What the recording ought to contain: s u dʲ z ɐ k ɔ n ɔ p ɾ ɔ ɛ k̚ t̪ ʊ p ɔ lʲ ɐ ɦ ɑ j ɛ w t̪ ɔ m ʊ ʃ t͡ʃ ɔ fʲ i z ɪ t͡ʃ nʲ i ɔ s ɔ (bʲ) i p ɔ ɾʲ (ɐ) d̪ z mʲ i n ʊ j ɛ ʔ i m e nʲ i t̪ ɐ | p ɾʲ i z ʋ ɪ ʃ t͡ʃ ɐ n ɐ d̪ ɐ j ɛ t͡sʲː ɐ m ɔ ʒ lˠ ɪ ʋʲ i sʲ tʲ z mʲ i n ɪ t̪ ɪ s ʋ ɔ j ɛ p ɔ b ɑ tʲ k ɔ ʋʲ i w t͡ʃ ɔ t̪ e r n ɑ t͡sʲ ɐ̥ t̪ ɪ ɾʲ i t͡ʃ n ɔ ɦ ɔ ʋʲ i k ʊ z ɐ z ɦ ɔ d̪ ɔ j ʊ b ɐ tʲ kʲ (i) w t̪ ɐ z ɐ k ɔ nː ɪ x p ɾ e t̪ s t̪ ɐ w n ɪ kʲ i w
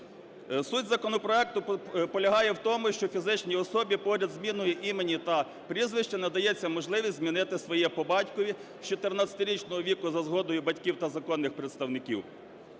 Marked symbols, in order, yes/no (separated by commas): yes, yes, yes